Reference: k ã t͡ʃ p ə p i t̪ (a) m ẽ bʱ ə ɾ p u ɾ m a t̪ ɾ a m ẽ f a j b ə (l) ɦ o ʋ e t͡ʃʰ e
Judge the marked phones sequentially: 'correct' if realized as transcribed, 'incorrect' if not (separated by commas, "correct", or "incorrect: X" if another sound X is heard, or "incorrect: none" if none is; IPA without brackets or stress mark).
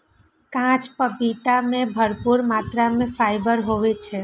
correct, incorrect: ɾ